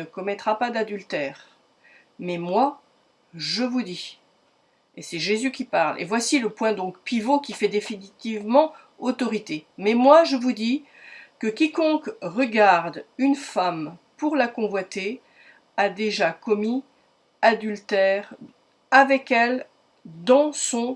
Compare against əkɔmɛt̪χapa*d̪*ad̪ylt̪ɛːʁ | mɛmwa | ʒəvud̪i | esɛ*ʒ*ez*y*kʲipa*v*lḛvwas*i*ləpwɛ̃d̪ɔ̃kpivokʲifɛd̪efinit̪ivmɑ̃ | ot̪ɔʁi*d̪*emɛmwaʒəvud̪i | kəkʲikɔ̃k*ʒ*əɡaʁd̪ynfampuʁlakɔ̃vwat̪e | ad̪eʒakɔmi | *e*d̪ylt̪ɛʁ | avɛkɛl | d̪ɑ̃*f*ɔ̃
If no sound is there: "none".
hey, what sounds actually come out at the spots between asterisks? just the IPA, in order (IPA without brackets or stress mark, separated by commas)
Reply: d̪, ʒ, y, ʁ, i, t̪, ʁ, a, s